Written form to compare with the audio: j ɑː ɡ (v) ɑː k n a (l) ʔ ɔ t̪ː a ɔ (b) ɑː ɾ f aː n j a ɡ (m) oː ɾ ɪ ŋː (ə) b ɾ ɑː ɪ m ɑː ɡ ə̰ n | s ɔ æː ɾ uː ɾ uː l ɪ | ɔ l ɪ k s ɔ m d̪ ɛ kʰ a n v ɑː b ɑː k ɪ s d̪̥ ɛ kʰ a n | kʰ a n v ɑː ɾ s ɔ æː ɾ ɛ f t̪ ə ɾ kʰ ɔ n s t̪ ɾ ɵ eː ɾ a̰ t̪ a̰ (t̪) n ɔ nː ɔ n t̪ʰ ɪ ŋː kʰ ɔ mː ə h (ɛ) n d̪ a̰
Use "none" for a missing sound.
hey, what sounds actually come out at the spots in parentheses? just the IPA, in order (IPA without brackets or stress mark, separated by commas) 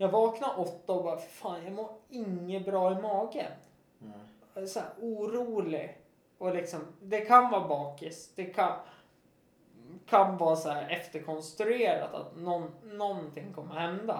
v, ɾ, b, m, ə, t̪, ɛ